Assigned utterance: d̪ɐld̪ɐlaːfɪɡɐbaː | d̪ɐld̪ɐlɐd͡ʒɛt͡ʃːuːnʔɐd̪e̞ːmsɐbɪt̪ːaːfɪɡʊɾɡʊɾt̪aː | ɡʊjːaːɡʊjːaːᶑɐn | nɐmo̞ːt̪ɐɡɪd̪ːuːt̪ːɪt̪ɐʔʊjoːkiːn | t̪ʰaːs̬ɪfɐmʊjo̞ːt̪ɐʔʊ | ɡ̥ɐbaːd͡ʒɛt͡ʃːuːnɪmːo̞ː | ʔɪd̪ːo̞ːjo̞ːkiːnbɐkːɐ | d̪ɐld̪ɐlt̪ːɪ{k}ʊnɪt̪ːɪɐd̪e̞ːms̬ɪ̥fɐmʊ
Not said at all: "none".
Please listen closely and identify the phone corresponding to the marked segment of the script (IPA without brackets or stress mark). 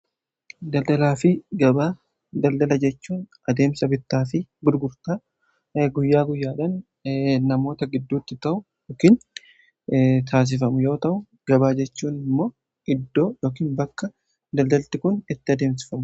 k